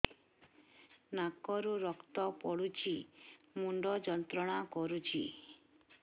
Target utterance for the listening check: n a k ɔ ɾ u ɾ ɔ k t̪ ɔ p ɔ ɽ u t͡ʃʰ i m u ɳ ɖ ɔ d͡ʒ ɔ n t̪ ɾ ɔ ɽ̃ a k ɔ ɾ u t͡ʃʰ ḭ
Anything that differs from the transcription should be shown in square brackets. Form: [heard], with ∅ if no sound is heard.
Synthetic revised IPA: n a k ɔ ɾ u ɾ ɔ k t̪ ɔ p ɔ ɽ u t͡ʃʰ i m u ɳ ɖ ɔ d͡ʒ ɔ n t̪ ɾ ɔ ɽ̃ a k ɔ ɾ u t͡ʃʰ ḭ